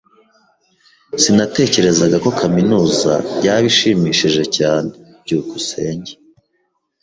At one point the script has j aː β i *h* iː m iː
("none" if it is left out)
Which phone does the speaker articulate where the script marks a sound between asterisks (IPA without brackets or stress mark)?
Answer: ʃ